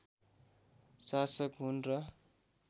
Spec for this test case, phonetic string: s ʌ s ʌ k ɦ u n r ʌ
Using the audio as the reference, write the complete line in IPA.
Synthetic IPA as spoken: s a s ʌ k ɦ u n r ʌ